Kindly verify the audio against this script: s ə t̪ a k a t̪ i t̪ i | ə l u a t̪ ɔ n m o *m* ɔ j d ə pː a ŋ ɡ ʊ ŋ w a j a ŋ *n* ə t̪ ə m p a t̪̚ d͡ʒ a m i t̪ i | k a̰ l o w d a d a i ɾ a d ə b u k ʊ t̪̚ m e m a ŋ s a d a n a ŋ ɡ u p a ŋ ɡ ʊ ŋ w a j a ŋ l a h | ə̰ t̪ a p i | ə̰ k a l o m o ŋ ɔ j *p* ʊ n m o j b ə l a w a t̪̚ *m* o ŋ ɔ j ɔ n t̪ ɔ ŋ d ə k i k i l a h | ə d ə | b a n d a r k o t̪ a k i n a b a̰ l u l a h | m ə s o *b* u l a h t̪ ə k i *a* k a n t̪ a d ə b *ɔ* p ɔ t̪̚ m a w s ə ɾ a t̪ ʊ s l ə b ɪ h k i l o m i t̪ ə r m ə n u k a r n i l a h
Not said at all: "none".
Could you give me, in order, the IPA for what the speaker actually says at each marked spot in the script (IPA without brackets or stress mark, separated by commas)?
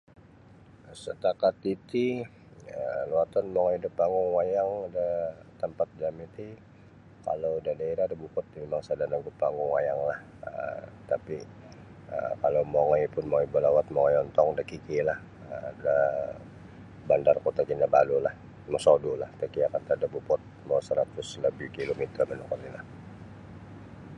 ŋ, d, p, m, d, a, u